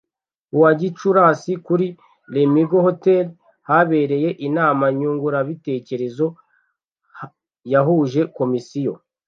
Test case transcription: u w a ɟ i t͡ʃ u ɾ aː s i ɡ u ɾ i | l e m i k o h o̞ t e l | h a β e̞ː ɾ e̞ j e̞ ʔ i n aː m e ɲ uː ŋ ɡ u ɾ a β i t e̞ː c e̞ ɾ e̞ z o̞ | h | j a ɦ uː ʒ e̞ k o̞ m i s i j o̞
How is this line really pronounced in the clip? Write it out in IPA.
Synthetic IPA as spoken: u w a ɟ i t͡ʃ u ɾ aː s i k u ɾ i | l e m i ɡ o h o̞ t e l | h a β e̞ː ɾ e̞ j e̞ ʔ i n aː m a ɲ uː ŋ ɡ u ɾ a β i t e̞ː c e̞ ɾ e̞ z o̞ | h | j a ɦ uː ʒ e̞ k o̞ m i s i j o̞

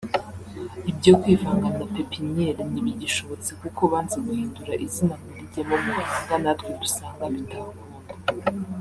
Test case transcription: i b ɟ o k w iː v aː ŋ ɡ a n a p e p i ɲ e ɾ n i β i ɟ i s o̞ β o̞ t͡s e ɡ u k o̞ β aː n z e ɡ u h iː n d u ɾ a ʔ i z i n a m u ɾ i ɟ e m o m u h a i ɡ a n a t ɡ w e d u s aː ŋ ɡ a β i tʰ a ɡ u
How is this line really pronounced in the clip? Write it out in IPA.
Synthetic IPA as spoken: i b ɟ o k w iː v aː ŋ ɡ a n a p e p i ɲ e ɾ n i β i ɟ i ʃ o̞ β o̞ t͡s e k u k o̞ β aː n z e ɡ u h iː n d u ɾ a ʔ i z i n a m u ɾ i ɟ e m o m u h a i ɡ a n a t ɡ w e d u s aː ŋ ɡ a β i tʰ a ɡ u

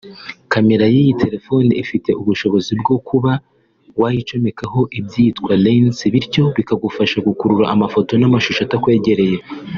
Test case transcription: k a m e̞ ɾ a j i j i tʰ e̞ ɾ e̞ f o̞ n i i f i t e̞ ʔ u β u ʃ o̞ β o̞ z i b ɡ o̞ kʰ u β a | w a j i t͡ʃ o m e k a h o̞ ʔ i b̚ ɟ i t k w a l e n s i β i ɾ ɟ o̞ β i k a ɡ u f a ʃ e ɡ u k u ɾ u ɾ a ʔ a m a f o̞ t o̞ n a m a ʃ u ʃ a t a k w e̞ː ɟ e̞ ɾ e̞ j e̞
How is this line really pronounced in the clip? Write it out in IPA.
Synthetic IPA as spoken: k a m e̞ ɾ a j i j i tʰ e̞ ɾ e̞ f o̞ n i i f i t e̞ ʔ u β u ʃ o̞ β o̞ z i b ɡ o̞ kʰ u β a | w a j i t͡ʃ o m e k a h o̞ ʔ i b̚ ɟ i t k w a l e n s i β i ɾ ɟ o̞ β i k a ɡ u f a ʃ a ɡ u k u ɾ u ɾ a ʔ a m a f o̞ t o̞ n a m a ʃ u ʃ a t a k w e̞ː ɟ e̞ ɾ e̞ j e̞

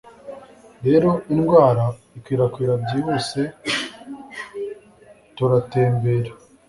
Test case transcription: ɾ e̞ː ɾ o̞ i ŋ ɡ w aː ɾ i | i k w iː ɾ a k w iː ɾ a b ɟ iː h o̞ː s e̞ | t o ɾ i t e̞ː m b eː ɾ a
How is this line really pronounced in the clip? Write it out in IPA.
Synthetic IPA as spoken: ɾ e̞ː ɾ o̞ i n ɡ w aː ɾ a | i k w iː ɾ a k w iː ɾ a b ɟ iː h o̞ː s e̞ | t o ɾ a t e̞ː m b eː ɾ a

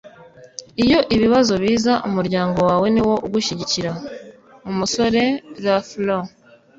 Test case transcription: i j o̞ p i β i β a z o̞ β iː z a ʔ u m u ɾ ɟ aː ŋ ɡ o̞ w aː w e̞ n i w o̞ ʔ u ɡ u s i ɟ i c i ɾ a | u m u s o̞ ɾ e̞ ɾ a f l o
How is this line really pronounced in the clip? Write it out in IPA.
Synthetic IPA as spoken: i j o̞ ʔ i β i β a z o̞ β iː z a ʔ u m u ɾ ɟ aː ŋ ɡ o̞ w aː w e̞ n i w o̞ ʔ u ɡ u ʃ i ɟ i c i ɾ a | u m u s o̞ ɾ e̞ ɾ a f l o

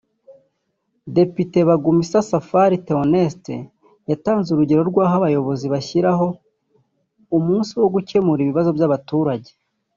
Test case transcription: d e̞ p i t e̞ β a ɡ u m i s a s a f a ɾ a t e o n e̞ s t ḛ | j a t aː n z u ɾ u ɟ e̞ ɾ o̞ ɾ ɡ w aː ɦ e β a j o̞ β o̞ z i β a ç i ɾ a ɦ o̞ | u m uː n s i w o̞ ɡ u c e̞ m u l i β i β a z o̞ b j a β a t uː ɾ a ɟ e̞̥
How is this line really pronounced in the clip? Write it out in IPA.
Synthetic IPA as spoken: d e̞ p i t e̞ β a ɡ u m i s a s a f a ɾ i t e o n e̞ s t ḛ | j a t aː n z u ɾ u ɟ e̞ ɾ o̞ ɾ ɡ w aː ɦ a β a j o̞ β o̞ z i β a ç i ɾ a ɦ o̞ | u m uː n s i w o̞ ɡ u c e̞ m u ɾ i β i β a z o̞ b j a β a t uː ɾ a ɟ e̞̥

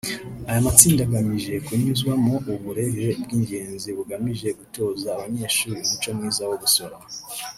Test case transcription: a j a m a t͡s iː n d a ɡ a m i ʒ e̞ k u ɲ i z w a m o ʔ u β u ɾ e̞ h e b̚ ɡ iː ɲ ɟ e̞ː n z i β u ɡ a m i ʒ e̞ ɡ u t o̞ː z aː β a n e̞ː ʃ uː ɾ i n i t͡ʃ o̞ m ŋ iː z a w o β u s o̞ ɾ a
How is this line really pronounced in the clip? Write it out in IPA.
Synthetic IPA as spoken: a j a m a t͡s iː n d a ɡ a m i ʒ e̞ k u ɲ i z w a m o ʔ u β u ɾ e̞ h e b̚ ɡ iː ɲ ɟ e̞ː n z i β u ɡ a m i ʒ e̞ ɡ u t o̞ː z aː β a ɲ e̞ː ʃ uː ɾ i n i t͡ʃ o̞ m ŋ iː z a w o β u s o̞ ɾ a

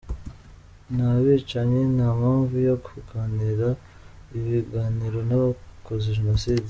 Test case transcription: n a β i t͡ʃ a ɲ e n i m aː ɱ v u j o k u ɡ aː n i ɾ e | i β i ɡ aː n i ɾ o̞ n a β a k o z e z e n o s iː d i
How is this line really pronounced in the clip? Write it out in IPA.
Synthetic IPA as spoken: n a β i t͡ʃ a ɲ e n a m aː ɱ v u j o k u ɡ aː n i ɾ a | i β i ɡ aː n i ɾ o̞ n a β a k o z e ʒ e n o s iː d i

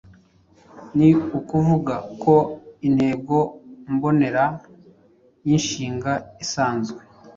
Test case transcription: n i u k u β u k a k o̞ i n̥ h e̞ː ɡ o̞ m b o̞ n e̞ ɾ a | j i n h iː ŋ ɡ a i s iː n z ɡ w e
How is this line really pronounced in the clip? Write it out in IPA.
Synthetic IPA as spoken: n i u k u v u ɡ a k o̞ i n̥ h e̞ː ɡ o̞ m b o̞ n e̞ ɾ a | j i n ʃ iː ŋ ɡ a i s aː n z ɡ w e

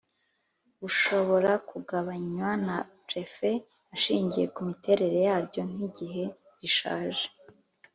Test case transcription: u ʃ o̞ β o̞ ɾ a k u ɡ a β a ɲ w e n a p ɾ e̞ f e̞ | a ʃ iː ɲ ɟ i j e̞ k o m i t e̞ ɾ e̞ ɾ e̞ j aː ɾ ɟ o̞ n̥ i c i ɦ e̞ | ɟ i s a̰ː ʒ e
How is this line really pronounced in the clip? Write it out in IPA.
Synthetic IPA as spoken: u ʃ o̞ β o̞ ɾ a k u ɡ a β a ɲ w a n a p ɾ e̞ f e̞ | a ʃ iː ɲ ɟ i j e̞ k u m i t e̞ ɾ e̞ ɾ e̞ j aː ɾ ɟ o̞ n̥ i ɟ i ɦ e̞ | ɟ i ʃ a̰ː ʒ e

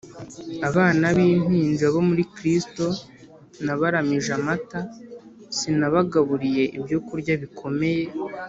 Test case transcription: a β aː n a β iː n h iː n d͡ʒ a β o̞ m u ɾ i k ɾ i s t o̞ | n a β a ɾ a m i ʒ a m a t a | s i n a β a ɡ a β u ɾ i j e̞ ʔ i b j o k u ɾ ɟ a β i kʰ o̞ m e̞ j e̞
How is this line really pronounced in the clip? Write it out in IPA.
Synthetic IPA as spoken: a β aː n a β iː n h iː n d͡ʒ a β o̞ m u ɾ i k ɾ i s t o̞ | n a β a ɾ a m i ʒ a m a t a | s i n a β a ɡ a β u ɾ i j e̞ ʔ i b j o k u ɾ ɟ a β i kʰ o̞ m e̞ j e̞

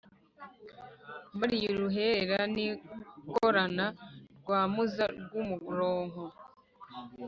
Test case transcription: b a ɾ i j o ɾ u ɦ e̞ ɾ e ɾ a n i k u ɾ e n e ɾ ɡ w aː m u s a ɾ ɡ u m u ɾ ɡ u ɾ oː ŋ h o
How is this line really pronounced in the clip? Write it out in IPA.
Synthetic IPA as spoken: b a ɾ i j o ɾ u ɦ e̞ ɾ e ɾ a n i k o ɾ a n a ɾ ɡ w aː m u z a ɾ ɡ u m u ɡ u ɾ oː ŋ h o

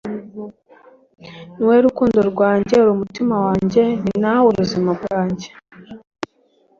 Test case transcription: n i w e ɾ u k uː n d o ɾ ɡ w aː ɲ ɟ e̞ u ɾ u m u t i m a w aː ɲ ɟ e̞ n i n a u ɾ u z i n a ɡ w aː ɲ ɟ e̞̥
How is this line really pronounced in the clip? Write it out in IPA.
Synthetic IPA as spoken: n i w e ɾ u k uː n d o ɾ ɡ w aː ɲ ɟ e̞ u ɾ u m u t i m a w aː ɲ ɟ e̞ n i n a u ɾ u z i m a ɡ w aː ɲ ɟ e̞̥

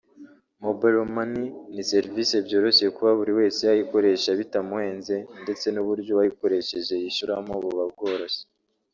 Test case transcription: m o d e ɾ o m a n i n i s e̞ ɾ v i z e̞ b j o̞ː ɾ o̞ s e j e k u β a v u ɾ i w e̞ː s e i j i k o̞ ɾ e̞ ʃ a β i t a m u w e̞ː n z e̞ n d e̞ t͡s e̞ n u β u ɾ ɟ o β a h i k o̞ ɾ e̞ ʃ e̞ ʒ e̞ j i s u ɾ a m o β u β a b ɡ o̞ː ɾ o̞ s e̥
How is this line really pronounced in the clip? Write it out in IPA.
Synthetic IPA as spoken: m o b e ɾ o m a n i n i s e̞ ɾ v i s e̞ b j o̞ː ɾ o̞ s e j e k u β a β u ɾ i w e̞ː s e a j i k o̞ ɾ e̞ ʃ a β i t a m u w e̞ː n z e̞ n d e̞ t͡s e̞ n u β u ɾ ɟ o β a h i k o̞ ɾ e̞ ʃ e̞ ʒ e̞ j i ʃ u ɾ a m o β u β a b ɡ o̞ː ɾ o̞ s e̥

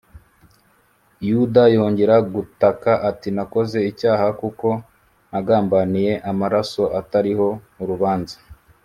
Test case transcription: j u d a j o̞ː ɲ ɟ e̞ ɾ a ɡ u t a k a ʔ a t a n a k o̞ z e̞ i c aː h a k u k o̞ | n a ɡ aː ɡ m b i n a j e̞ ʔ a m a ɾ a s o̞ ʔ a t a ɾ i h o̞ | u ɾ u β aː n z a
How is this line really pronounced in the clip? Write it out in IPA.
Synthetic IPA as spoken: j u d a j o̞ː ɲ ɟ e̞ ɾ a ɡ u t a k a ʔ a t i n a k o̞ z e̞ i c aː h a k u k o̞ | n a ɡ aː m b a n i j e̞ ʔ a m a ɾ a s o̞ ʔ a t a ɾ i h o̞ | u ɾ u β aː n z a

